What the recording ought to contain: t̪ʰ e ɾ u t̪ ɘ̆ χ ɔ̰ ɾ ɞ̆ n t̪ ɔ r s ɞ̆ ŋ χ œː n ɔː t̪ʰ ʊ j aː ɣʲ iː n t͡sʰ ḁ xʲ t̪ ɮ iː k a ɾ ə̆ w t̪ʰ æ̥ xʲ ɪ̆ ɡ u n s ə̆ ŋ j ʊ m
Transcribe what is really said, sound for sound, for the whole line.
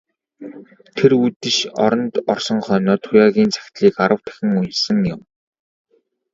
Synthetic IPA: t̪ʰ e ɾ u t̪ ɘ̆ ʃ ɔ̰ ɾ ɞ̆ n t̪ ɔ r s ɞ̆ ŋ χ œː n ɔː t̪ʰ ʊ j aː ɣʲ iː n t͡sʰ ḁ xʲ t̪ ɮ iː k a ɾ ə̆ w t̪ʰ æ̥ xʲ ɪ̆ ŋ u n s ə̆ ŋ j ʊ m